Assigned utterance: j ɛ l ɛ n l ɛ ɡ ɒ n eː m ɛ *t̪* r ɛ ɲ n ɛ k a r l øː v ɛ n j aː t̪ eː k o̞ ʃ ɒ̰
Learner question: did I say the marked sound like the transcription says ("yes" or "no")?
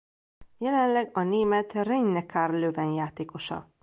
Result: yes